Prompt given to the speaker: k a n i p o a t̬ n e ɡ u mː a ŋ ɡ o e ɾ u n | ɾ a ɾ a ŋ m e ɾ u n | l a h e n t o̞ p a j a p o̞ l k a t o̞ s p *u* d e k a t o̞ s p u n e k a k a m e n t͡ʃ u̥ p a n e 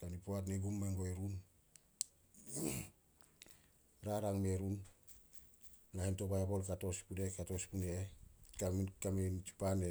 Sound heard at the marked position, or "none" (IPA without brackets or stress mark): u